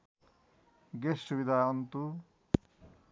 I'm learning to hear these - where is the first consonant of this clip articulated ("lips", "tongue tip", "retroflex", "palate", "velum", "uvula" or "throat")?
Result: velum